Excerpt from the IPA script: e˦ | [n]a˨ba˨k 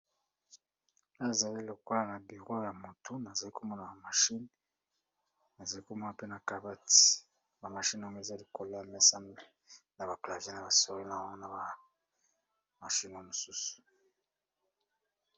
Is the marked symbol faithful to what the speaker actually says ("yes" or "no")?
yes